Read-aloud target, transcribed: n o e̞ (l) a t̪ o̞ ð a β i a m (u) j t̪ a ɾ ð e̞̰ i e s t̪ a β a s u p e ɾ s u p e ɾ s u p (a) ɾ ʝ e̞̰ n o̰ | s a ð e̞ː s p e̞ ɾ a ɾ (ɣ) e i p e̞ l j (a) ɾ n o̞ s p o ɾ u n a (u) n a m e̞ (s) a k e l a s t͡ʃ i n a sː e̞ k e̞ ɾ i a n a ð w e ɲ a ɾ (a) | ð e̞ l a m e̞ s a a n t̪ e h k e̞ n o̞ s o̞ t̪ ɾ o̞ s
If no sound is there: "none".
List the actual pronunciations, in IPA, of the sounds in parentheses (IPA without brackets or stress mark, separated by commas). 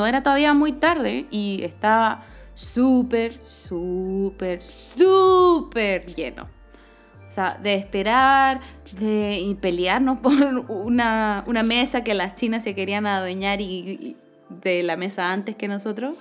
ɾ, u, e, ð, a, u, s, i